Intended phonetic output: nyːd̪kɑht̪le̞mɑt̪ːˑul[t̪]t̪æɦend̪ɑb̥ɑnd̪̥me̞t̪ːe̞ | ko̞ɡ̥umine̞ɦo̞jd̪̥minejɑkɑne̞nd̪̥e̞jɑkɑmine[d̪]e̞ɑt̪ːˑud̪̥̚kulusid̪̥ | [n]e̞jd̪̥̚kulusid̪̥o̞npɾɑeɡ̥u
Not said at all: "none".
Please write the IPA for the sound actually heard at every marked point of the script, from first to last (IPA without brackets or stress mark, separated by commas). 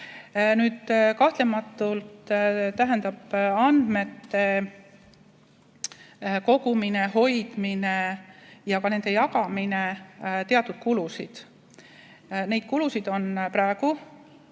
t̪, t̪, n